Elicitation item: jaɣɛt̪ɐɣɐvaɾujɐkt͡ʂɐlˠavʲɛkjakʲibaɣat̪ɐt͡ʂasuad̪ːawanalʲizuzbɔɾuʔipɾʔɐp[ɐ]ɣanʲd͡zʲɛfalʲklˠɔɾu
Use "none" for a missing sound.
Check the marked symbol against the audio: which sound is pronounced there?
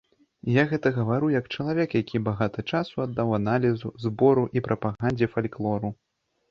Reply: a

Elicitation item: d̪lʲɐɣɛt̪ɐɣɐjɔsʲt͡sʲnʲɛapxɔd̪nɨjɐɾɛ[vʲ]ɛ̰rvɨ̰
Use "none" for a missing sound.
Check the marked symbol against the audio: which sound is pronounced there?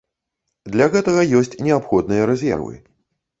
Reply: zʲ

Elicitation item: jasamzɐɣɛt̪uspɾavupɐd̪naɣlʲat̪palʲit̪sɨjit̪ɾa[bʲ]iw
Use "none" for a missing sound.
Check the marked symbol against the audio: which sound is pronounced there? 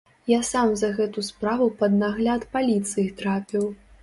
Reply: pʲ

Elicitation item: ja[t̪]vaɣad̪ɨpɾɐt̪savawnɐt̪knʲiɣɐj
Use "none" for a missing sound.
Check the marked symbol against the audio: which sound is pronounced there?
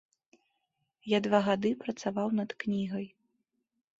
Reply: d̪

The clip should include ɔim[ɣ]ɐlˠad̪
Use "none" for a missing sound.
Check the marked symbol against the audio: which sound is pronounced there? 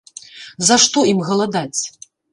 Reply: ɣ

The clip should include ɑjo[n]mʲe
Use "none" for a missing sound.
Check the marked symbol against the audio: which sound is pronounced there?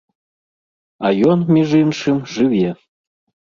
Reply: n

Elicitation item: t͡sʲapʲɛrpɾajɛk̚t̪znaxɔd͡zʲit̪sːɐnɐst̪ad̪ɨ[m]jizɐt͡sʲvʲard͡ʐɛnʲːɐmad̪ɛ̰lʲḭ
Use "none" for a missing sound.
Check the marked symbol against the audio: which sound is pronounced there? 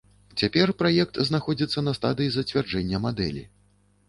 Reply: none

